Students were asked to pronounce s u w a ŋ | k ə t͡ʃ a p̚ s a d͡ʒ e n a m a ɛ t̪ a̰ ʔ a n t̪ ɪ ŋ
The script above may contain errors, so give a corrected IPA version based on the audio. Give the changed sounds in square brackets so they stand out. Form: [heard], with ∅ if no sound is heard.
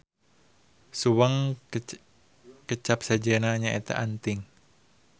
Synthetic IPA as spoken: s u w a ŋ | k ə t͡ʃ a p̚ s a d͡ʒ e n a [ɲ] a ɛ t̪ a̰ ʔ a n t̪ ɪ ŋ